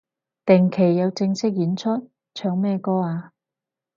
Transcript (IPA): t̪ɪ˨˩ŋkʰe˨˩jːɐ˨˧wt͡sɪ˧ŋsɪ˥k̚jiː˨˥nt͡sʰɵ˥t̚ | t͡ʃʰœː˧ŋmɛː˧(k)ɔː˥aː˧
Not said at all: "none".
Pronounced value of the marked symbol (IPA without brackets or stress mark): k